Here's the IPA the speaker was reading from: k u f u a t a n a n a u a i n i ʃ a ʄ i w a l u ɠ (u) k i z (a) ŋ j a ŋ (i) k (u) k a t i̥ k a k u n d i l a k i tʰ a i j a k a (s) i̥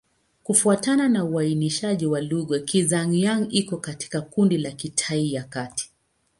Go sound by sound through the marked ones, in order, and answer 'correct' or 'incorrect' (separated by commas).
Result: incorrect, correct, correct, incorrect, incorrect